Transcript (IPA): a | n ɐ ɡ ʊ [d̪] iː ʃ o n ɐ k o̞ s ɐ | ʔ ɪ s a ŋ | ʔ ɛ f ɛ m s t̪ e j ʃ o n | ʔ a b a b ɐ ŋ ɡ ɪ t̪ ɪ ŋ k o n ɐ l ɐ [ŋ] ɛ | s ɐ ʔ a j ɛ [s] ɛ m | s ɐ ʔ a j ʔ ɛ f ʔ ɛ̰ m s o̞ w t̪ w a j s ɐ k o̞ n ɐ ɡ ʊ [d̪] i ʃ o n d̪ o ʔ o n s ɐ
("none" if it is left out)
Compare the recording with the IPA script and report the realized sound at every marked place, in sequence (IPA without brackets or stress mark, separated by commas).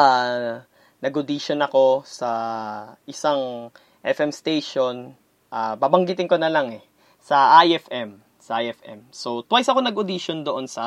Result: d̪, ŋ, f, d̪